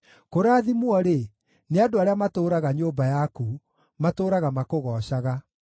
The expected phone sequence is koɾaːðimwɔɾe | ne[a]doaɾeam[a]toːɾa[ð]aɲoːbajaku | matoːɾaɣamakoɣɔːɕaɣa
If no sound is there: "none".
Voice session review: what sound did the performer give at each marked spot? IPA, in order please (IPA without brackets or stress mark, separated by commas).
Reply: a, a, ɣ